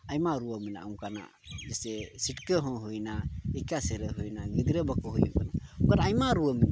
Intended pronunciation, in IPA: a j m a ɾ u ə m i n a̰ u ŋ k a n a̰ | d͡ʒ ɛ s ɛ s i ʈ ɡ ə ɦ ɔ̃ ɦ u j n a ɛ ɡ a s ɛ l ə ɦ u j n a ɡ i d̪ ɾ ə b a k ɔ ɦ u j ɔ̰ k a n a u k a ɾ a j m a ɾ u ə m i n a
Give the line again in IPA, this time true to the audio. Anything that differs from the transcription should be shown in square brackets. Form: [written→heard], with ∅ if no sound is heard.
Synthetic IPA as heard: a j m a ɾ u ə m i n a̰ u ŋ k a n a̰ | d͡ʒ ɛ s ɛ s i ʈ [ɡ→k] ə ɦ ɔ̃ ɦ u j n a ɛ [ɡ→k] a s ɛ [l→ɾ] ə ɦ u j n a ɡ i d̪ ɾ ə b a k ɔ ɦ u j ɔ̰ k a n a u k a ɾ a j m a ɾ u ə m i n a